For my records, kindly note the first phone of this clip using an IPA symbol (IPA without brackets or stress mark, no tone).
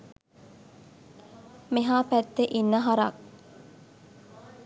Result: m